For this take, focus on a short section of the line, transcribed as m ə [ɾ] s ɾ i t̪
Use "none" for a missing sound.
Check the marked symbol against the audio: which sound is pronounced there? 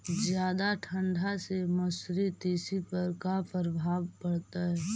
none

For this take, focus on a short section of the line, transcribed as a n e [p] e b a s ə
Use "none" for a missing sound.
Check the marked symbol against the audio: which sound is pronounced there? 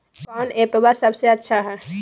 p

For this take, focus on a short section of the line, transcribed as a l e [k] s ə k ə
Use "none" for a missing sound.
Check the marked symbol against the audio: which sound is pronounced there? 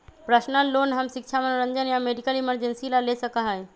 none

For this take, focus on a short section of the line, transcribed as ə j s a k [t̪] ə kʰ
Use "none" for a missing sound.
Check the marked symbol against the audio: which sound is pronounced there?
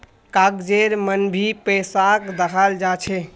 d̪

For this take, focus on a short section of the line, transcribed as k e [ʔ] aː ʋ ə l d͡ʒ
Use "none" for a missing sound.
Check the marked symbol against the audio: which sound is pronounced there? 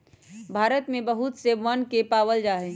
p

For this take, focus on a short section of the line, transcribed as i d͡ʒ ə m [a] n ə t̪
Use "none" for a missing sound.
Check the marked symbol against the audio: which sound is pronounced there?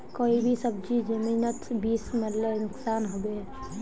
i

